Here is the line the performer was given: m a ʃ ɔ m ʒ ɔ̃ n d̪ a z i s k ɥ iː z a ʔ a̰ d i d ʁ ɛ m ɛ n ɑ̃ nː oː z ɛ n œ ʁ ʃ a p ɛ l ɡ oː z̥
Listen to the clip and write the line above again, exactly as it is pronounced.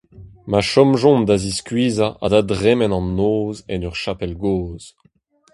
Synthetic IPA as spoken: m a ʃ ɔ m ʒ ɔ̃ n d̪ a z i s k ɥ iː z a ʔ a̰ d a d ʁ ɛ m ɛ n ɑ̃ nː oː z ɛ n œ ʁ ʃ a p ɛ l ɡ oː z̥

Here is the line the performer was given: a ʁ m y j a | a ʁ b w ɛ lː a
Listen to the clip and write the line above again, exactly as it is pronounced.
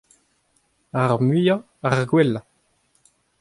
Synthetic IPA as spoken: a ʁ m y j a | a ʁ ɡ w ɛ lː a

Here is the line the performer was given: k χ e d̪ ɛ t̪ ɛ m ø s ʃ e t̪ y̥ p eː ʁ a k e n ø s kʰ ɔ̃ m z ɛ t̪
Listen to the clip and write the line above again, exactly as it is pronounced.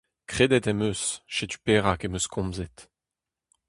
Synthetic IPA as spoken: k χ e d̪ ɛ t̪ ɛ m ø s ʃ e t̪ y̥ p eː ʁ a k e m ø s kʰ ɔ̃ m z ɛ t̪

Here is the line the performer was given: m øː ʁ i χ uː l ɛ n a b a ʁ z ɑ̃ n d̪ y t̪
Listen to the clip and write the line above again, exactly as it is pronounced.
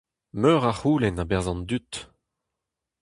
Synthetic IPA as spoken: m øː ʁ a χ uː l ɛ n a b ɛ ʁ z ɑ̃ n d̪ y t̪

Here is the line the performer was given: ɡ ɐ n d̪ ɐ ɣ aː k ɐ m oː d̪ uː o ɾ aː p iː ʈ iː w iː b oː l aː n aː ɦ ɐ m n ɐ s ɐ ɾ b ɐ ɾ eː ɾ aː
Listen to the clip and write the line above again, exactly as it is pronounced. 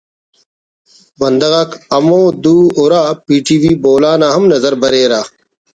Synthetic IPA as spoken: b ɐ n d̪ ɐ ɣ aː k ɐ m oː d̪ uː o ɾ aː p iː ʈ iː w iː b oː l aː n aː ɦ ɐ m n ɐ z ɐ ɾ b ɐ ɾ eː ɾ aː

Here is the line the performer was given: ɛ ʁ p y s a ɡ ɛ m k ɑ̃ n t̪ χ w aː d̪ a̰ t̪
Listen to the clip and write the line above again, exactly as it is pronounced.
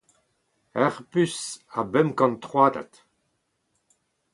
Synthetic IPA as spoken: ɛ ʁ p y s a b ɛ m k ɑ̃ n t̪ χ w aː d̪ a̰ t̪

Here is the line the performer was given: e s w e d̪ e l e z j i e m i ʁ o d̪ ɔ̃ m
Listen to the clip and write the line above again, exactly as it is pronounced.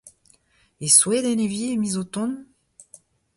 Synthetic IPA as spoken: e s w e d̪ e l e v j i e m i z o t̪ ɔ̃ n

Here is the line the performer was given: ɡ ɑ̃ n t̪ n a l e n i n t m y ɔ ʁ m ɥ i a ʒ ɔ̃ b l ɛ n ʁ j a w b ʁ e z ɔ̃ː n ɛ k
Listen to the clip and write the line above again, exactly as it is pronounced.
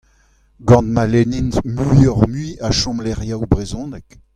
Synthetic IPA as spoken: ɡ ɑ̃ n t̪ m a l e n i n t m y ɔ ʁ m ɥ i a ʃ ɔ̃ m l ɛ ʁ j a w b ʁ e z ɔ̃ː n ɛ k

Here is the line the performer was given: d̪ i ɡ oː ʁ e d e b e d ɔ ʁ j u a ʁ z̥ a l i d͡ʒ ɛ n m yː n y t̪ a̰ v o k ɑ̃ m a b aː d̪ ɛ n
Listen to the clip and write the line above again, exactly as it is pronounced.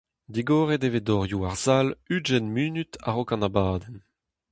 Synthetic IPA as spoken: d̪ i ɡ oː ʁ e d e v e d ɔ ʁ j u a ʁ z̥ a l y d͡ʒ ɛ n m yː n y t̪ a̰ ʁ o k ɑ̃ n a b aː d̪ ɛ n

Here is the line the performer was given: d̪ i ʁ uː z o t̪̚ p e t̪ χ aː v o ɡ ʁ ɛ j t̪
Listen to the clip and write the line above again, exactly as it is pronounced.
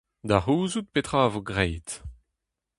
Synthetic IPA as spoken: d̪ a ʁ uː z u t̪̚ p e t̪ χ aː v o ɡ ʁ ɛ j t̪

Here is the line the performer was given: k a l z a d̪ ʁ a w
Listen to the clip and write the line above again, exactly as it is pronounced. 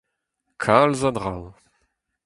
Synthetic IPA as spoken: kʰ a l z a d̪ ʁ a w

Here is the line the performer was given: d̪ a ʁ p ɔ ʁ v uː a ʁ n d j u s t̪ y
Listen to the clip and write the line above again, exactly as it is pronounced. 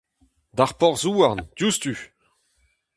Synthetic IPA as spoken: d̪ a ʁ p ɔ ʁ z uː a ʁ n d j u s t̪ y

